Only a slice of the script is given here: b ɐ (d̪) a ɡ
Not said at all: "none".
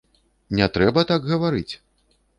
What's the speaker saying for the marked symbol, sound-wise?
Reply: t̪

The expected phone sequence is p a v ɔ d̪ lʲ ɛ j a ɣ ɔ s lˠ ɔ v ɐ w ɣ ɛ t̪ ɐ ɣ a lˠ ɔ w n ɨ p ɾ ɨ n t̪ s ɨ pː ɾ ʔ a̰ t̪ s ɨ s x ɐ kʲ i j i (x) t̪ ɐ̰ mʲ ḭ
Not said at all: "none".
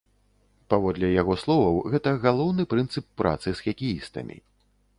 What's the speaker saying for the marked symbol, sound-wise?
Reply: s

